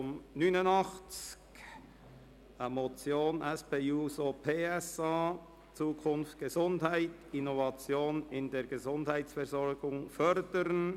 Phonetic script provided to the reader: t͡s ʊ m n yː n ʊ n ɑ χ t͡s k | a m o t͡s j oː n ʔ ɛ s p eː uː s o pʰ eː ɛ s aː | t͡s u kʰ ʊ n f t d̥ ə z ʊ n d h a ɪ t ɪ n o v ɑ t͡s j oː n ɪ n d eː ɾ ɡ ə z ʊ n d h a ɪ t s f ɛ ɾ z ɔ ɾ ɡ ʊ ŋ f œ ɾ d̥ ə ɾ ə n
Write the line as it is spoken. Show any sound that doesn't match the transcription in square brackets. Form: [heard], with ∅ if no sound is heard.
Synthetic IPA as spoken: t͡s ʊ m n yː n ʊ n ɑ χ t͡s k | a m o t͡s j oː n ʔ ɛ s p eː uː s o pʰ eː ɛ s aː | t͡s [uː] kʰ ʊ n f t [ɡ̥] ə z ʊ n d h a ɪ t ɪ n o v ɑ t͡s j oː n ɪ n d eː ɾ ɡ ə z ʊ n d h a ɪ t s f ɛ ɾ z ɔ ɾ ɡ ʊ ŋ f œ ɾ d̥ ə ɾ ə n